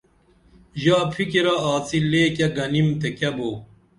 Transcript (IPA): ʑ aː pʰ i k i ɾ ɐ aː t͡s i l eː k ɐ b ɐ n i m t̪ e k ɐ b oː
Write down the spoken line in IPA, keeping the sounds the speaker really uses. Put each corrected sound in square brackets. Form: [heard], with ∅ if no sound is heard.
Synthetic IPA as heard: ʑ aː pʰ i k i ɾ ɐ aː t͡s i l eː k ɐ [ɡ] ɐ n i m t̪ e k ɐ b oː